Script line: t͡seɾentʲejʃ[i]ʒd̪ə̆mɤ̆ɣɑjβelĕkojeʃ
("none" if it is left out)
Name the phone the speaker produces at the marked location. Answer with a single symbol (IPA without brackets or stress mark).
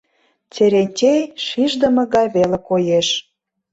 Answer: i